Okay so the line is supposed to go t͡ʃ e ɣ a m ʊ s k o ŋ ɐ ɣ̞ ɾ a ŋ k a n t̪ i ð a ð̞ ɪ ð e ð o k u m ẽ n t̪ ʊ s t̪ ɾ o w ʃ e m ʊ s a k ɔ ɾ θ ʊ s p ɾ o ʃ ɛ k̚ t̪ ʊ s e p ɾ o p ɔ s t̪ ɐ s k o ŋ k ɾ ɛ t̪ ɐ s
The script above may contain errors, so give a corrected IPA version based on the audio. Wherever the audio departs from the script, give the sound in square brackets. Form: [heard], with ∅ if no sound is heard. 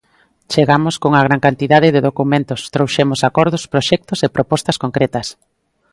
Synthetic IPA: t͡ʃ e ɣ a m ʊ s k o ŋ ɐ ɣ̞ ɾ a ŋ k a n t̪ i ð a ð̞ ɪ ð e ð o k u m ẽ n t̪ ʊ s t̪ ɾ o w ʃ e m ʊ s a k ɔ ɾ [ð] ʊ s p ɾ o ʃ ɛ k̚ t̪ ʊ s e p ɾ o p ɔ s t̪ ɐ s k o ŋ k ɾ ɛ t̪ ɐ s